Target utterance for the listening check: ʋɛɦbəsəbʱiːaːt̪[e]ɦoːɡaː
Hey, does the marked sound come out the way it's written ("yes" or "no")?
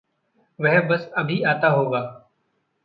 no